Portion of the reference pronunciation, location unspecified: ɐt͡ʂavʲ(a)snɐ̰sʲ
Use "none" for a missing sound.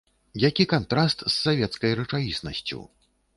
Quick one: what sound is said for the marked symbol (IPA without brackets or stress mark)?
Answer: i